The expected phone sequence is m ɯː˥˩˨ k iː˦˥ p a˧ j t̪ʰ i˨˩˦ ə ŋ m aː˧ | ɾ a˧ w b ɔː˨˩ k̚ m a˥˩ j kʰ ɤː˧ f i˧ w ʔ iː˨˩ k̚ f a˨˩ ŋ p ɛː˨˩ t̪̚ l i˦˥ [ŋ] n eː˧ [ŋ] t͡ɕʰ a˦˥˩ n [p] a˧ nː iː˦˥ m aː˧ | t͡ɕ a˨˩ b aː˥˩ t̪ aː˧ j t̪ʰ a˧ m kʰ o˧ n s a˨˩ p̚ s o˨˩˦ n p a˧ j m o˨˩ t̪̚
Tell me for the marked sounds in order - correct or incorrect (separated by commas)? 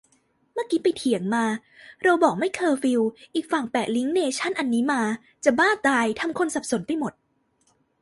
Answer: correct, incorrect, incorrect